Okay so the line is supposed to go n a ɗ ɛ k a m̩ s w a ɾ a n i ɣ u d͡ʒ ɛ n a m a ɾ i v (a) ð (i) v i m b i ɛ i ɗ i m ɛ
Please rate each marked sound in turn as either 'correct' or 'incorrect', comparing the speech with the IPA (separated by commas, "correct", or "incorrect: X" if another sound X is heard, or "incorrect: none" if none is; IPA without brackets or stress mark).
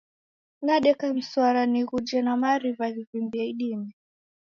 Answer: correct, correct